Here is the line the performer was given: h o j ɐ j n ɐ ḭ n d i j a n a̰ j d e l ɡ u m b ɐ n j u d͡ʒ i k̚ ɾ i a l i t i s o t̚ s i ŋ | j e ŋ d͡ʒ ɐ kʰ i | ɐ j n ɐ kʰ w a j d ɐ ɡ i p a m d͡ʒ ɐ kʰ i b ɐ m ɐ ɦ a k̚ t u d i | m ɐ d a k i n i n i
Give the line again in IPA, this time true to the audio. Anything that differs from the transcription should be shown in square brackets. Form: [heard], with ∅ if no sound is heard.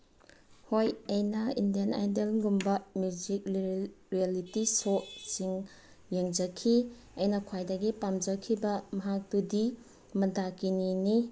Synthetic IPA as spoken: h o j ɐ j n ɐ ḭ n d i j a n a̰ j d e l ɡ u m b ɐ [m] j u d͡ʒ i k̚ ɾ i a l i t i s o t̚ s i ŋ | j e ŋ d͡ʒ ɐ kʰ i | ɐ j n ɐ kʰ w a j d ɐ ɡ i p a m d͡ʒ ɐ kʰ i b ɐ m ɐ ɦ a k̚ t u d i | m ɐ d a k i n i n i